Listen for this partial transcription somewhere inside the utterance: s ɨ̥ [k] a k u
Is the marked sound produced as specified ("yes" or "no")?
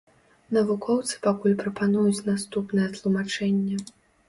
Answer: no